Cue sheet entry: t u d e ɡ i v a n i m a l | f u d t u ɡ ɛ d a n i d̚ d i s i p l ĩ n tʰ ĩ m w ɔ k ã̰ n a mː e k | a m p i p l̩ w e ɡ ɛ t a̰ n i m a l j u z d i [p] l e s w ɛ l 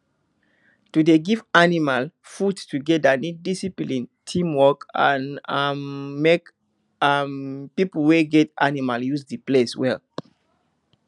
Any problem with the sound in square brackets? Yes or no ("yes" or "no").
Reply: no